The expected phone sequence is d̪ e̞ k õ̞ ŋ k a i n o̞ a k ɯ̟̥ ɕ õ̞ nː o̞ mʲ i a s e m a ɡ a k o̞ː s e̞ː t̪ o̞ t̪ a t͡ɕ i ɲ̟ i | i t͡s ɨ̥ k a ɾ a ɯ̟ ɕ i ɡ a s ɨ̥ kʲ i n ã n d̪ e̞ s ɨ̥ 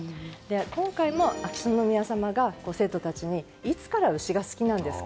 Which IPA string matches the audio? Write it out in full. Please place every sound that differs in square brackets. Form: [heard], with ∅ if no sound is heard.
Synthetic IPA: d̪ e̞ k õ̞ ŋ k a i [m] o̞ a k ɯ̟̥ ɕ õ̞ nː o̞ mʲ i a s [a] m a ɡ a k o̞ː s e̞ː t̪ o̞ t̪ a t͡ɕ i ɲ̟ i | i t͡s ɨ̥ k a ɾ a ɯ̟ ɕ i ɡ a s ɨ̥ kʲ i n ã n d̪ e̞ s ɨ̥